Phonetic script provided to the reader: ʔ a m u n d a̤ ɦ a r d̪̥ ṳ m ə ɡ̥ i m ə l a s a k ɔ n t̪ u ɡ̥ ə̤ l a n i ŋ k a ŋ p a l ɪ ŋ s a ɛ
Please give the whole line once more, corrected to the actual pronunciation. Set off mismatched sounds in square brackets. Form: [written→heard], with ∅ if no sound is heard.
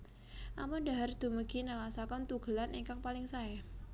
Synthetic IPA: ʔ a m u n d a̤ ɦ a r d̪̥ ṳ m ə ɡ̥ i [m→n] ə l a s a k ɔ n t̪ u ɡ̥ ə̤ l a n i ŋ k a ŋ p a l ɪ ŋ s a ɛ